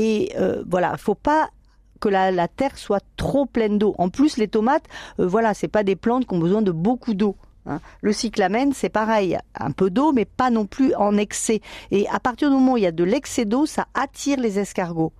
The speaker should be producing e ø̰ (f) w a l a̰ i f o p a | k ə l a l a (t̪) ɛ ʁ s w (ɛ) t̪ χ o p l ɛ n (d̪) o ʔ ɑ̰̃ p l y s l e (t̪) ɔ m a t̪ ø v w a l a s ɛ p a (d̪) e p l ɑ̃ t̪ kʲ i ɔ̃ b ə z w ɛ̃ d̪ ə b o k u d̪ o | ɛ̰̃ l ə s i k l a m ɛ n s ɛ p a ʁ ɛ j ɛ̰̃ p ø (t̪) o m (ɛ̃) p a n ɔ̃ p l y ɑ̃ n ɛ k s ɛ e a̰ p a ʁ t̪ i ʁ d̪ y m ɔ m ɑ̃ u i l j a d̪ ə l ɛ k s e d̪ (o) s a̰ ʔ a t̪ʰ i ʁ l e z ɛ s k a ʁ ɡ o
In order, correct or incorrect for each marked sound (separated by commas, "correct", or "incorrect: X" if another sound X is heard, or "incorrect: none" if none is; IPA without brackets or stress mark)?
incorrect: v, correct, incorrect: a, correct, correct, correct, incorrect: d̪, incorrect: ɛ, correct